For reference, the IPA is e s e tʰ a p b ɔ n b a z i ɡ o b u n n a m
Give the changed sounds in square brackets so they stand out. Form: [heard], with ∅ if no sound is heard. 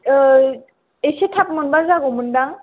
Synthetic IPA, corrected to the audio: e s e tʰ a p [m] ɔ n b a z [a] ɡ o [m] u n [d] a [ŋ]